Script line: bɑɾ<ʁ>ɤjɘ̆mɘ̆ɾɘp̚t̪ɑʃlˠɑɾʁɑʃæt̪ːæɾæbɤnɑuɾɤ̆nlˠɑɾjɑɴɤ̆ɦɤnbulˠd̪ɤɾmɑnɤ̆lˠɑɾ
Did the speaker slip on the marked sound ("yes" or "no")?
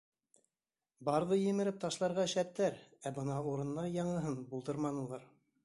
yes